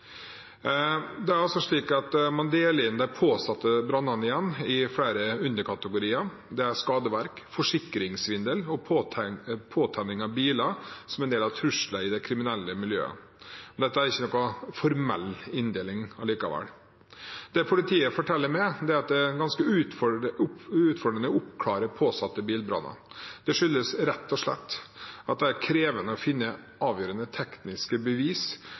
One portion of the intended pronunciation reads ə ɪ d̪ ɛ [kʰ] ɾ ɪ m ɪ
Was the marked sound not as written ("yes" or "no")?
no